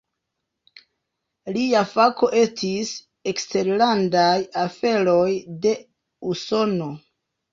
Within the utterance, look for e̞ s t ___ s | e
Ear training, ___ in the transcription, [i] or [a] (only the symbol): i